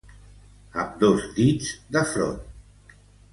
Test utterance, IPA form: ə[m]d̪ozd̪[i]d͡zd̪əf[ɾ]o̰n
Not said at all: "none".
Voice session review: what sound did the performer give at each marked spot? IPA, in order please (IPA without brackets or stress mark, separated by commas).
m, i, ɾ